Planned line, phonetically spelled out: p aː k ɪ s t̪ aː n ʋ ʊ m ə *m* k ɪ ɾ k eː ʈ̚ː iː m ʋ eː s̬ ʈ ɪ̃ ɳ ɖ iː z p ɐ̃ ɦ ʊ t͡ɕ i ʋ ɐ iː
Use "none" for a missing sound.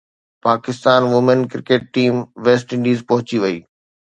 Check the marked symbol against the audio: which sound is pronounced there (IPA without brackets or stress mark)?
n